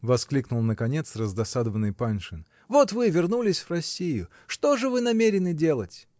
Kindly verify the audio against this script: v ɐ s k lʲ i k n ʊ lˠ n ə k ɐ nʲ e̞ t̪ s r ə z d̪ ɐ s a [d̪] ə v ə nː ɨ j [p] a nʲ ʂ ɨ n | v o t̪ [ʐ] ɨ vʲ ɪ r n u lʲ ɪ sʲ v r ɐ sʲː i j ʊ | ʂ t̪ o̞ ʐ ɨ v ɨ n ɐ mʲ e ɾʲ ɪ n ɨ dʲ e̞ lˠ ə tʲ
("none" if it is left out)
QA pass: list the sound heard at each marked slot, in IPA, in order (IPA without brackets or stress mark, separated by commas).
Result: d̪, p, v